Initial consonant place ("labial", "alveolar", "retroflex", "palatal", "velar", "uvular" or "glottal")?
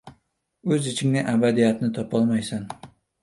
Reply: alveolar